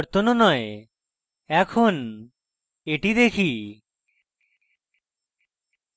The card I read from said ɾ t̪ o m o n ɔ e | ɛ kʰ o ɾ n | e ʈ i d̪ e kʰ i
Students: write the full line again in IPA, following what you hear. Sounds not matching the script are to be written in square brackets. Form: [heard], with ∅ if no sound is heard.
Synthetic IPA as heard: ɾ t̪ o [n] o n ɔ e | ɛ kʰ o [∅] n | e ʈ i d̪ e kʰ i